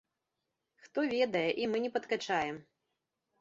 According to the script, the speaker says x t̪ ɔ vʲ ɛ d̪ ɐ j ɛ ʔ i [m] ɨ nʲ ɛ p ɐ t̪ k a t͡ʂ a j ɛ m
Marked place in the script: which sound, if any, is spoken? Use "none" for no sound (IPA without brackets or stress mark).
m